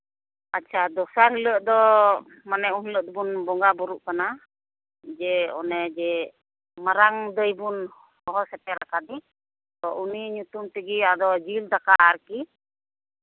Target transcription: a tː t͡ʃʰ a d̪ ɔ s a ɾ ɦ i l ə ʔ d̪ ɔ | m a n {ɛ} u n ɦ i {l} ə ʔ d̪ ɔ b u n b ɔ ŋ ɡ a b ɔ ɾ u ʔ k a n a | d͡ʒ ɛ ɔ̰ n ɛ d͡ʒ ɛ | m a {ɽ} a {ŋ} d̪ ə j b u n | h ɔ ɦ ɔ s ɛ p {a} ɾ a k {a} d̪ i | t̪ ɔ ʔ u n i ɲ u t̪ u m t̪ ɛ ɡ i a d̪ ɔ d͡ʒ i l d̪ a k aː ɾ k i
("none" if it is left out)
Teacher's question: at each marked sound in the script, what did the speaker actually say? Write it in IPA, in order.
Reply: ɛ, l, ɾ, ŋ, ɛ, a

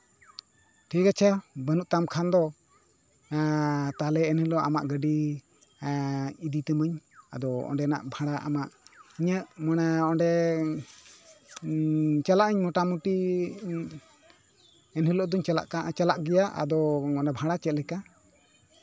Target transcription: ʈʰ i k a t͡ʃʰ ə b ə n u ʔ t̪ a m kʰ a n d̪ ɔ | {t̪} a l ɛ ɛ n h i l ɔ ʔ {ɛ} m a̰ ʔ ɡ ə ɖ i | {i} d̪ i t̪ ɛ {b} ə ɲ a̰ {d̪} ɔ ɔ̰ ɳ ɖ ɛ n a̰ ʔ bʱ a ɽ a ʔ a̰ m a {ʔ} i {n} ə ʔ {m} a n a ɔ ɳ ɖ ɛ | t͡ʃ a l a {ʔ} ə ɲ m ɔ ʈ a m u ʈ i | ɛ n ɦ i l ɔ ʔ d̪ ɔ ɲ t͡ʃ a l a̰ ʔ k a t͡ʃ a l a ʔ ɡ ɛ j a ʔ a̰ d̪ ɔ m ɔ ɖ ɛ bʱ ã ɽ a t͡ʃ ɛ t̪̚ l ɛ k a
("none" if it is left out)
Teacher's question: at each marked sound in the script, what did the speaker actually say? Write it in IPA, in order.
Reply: t̪, a, i, m, d̪, ʔ, ɲ, m, ʔ

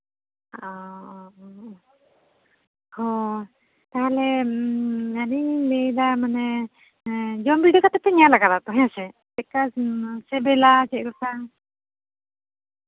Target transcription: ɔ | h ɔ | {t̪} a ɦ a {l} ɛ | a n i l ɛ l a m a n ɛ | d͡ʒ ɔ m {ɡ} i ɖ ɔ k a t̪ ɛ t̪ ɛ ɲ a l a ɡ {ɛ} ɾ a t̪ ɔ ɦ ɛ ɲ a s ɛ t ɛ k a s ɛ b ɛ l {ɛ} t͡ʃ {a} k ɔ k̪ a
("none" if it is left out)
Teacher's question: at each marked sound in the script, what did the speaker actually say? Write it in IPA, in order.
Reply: t̪, l, b, a, a, ɛ

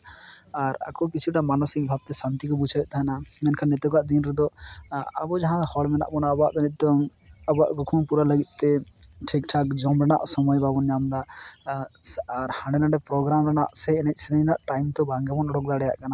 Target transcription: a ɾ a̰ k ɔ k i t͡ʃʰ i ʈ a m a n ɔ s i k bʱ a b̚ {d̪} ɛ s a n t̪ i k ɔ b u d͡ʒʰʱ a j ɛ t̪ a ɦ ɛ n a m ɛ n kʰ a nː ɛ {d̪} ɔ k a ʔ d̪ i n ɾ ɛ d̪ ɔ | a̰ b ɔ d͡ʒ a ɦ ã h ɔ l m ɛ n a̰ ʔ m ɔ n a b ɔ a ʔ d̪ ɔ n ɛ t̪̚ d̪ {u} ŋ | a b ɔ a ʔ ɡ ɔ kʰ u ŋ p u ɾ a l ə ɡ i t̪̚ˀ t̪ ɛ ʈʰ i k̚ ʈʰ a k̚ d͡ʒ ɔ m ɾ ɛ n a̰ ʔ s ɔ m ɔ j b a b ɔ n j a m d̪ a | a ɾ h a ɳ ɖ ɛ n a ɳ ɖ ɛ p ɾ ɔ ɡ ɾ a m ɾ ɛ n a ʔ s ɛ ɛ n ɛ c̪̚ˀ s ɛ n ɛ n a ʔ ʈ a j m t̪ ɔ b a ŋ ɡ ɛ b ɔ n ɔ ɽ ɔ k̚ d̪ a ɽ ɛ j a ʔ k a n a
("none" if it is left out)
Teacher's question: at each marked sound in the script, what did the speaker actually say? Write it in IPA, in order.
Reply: t̪, t̪, ɔ

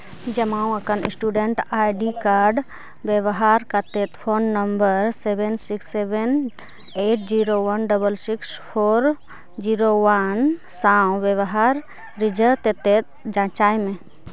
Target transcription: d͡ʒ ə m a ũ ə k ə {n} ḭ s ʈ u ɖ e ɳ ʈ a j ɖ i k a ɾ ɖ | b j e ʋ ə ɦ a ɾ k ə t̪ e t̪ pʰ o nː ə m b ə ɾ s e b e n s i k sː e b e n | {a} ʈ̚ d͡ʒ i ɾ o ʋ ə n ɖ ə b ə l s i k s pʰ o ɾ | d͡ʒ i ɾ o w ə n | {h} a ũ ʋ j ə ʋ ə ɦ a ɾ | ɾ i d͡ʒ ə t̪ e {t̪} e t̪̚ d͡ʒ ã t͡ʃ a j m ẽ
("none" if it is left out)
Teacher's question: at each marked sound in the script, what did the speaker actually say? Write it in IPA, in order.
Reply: n, e, s, t̪

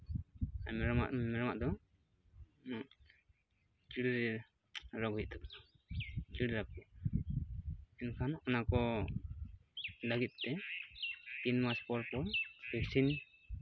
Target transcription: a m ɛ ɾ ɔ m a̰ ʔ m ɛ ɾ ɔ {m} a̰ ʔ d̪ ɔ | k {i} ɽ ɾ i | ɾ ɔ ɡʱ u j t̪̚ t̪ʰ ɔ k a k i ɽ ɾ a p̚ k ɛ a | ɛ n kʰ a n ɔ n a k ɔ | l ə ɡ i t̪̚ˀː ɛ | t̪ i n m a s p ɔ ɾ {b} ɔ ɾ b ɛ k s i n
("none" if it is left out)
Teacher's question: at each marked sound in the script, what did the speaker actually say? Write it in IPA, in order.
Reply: m, i, p

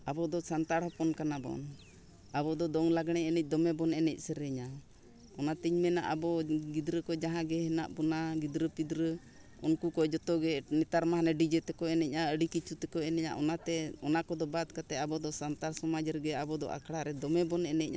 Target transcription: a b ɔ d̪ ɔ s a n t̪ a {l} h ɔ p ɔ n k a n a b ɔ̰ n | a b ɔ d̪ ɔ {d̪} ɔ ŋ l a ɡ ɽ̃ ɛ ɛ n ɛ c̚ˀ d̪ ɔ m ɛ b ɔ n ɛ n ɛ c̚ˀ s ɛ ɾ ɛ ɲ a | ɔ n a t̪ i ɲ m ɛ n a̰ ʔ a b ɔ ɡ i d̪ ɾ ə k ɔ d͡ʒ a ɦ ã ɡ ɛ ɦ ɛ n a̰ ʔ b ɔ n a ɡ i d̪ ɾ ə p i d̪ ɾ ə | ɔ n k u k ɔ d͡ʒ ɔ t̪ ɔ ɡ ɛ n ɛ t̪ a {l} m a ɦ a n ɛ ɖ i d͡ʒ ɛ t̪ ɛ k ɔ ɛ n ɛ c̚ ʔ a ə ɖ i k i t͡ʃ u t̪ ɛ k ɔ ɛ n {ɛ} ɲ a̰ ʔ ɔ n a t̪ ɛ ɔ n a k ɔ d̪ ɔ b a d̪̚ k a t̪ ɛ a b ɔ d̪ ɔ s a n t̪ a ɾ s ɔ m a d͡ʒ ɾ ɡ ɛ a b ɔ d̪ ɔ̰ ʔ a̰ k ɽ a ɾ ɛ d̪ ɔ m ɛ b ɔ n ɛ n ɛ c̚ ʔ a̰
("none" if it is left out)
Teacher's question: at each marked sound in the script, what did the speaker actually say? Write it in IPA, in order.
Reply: ɽ, d̪, ɾ, ɛ

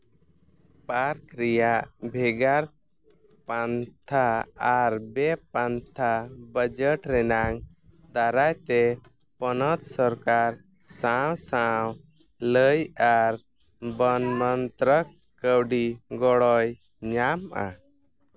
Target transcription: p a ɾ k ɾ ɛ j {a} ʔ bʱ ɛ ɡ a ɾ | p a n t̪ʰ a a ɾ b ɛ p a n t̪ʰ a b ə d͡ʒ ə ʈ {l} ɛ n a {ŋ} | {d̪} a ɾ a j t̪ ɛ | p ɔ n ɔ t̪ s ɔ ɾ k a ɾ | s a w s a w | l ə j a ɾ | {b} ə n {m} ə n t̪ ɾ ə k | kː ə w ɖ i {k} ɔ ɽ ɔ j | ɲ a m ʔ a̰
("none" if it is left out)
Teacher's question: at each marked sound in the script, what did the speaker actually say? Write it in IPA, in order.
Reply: a, ɾ, ŋ, d̪, b, m, ɡ

